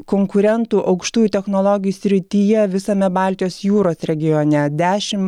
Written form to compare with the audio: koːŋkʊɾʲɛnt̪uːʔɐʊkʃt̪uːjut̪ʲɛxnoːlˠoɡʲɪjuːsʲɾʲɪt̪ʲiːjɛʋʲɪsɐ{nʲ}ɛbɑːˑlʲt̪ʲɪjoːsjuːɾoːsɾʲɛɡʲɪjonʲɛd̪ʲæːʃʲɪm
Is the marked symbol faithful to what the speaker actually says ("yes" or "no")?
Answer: no